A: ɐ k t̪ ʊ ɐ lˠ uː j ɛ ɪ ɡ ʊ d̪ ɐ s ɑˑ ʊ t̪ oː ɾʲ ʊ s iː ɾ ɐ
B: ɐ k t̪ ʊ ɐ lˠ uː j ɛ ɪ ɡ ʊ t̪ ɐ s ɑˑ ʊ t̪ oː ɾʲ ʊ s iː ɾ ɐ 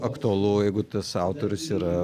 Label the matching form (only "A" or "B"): B